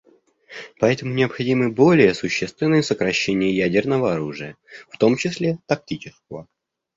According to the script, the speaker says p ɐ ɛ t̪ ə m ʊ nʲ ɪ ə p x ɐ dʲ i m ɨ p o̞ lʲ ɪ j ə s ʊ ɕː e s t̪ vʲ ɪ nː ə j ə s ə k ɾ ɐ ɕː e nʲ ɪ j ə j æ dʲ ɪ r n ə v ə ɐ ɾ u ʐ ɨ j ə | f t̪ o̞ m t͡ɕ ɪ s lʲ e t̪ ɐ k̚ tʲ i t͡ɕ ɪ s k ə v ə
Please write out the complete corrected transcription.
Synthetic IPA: p ɐ ɛ t̪ ə m ʊ nʲ ɪ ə p x ɐ dʲ i m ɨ b o̞ lʲ ɪ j ə s ʊ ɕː e s t̪ vʲ ɪ nː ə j ə s ə k ɾ ɐ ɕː e nʲ ɪ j ə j æ dʲ ɪ r n ə v ə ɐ ɾ u ʐ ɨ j ə | f t̪ o̞ m t͡ɕ ɪ s lʲ e t̪ ɐ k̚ tʲ i t͡ɕ ɪ s k ə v ə